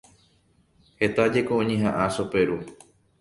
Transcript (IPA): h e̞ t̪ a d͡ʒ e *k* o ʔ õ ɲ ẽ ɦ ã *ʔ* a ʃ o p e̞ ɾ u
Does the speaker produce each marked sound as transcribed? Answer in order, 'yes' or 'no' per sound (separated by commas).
yes, yes